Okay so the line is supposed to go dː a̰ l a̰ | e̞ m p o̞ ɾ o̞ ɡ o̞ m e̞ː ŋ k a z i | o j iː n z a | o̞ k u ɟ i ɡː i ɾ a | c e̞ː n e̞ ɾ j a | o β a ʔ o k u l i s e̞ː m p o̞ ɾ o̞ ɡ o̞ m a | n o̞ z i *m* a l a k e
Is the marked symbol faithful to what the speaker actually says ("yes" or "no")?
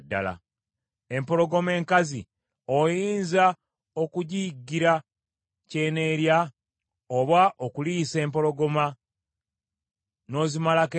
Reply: yes